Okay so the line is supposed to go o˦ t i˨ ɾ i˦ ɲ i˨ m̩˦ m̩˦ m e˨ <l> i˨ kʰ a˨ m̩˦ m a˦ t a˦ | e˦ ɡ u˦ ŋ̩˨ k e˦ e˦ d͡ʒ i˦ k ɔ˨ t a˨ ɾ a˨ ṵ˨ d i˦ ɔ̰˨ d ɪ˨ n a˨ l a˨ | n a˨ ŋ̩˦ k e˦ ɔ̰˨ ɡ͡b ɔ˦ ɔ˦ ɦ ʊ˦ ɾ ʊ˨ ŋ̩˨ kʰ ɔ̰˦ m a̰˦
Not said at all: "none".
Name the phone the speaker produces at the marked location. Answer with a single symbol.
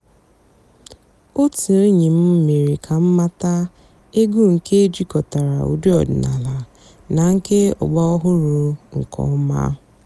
ɾ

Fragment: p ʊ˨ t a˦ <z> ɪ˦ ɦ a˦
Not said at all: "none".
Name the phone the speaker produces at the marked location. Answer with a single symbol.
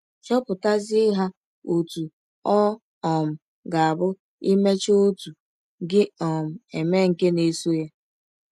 z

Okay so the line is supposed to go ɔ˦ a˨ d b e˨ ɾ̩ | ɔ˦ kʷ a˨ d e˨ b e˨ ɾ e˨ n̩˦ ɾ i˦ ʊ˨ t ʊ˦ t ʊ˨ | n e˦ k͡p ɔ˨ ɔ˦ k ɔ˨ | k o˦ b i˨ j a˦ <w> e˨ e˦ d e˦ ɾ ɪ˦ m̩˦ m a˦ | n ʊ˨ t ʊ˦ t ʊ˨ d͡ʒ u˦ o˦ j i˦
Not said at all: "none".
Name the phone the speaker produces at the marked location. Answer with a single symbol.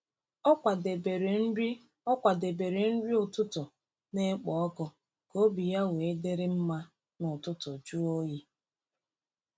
w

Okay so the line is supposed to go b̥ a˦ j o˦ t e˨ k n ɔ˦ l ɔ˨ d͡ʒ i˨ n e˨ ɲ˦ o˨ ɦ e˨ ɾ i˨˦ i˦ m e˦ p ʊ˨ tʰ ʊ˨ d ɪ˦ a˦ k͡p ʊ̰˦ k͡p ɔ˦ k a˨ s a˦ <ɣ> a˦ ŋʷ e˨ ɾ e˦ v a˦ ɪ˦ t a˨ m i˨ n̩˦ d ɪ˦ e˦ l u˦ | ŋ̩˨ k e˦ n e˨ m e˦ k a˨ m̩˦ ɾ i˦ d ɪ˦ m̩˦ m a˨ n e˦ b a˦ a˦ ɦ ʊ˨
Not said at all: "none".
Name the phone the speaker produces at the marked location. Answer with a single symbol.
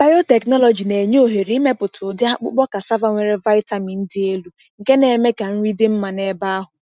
v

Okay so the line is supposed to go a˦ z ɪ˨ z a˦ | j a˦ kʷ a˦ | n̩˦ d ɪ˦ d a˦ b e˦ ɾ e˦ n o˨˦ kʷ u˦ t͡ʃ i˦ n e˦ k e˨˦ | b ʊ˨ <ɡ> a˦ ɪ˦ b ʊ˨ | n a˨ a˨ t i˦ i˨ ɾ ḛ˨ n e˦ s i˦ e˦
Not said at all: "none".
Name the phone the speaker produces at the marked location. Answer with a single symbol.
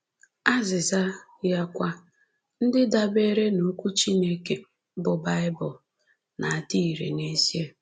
b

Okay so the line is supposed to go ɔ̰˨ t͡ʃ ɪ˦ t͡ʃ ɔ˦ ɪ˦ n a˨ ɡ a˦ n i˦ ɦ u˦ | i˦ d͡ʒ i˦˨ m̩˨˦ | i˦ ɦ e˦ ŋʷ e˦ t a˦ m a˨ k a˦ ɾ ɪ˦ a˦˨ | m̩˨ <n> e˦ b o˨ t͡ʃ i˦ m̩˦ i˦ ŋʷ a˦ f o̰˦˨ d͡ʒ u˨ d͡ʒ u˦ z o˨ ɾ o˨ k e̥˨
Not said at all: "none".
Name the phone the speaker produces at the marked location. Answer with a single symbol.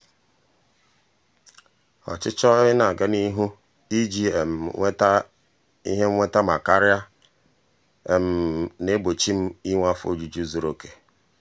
n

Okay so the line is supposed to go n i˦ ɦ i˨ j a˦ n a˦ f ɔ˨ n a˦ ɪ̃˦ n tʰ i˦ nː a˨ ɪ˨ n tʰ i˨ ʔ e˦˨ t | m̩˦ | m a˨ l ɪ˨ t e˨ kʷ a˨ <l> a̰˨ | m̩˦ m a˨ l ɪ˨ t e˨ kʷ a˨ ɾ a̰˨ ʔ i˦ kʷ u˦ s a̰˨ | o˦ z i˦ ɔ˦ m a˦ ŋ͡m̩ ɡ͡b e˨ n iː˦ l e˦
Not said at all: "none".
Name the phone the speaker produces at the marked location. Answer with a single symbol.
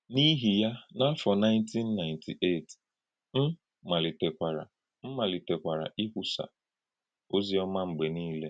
ɾ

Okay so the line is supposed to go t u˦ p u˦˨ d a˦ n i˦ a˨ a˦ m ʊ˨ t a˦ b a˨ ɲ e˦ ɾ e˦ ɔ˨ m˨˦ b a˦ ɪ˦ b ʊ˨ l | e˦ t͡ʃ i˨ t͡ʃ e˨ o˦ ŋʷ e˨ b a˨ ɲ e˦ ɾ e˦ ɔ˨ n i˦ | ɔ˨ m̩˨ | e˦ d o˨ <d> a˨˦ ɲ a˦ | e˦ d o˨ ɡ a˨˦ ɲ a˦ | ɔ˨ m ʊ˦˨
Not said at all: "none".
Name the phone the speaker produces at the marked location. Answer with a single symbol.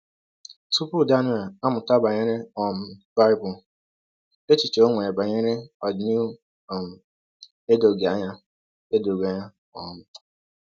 ɡ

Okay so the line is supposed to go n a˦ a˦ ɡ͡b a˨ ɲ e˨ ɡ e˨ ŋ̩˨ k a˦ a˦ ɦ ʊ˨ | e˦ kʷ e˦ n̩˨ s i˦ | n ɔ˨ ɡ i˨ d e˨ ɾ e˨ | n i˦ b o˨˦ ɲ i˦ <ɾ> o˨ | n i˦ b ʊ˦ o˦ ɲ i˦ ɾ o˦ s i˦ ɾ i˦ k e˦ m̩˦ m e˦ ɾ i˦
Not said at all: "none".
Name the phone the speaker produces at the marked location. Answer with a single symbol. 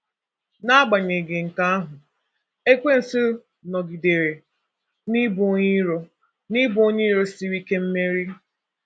ɾ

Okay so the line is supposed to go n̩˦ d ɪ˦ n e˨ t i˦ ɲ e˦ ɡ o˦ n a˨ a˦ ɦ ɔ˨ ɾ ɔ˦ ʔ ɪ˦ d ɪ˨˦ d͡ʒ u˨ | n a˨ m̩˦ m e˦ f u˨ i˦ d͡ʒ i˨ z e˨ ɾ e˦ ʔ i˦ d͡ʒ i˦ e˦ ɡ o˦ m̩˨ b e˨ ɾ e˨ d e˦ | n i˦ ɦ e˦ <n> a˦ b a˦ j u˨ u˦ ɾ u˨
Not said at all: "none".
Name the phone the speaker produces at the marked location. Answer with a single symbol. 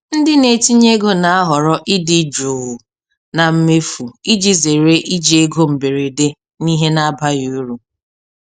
n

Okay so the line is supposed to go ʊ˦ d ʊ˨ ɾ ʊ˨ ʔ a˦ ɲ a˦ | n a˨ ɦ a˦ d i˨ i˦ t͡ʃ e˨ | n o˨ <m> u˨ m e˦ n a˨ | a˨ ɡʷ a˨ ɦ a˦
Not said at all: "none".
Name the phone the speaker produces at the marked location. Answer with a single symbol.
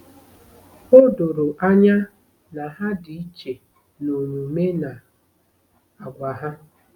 ɲ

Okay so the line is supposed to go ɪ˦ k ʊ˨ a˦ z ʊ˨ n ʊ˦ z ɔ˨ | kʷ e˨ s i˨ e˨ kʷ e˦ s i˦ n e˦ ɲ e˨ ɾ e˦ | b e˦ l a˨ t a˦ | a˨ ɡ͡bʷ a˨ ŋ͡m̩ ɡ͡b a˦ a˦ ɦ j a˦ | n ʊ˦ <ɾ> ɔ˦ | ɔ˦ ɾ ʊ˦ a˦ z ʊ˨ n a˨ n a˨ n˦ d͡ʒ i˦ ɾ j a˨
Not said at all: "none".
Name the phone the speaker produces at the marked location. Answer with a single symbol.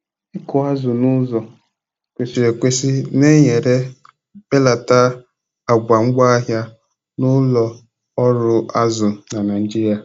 l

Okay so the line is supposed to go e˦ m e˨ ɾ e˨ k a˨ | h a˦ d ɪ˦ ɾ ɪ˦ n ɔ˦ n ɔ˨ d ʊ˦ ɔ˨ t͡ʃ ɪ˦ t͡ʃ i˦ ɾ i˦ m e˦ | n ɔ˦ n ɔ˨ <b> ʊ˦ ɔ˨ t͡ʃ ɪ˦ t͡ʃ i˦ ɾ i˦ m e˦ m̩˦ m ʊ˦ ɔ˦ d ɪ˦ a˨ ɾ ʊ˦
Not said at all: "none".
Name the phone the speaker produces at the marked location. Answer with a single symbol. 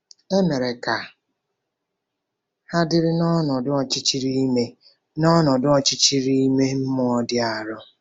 d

